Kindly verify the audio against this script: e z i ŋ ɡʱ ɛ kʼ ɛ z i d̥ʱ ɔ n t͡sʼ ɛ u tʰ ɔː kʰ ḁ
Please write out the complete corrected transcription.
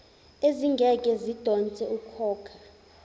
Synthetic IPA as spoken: e z i ŋ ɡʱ ɛ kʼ ɛ z i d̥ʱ ɔ n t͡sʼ ɛ u kʰ ɔː kʰ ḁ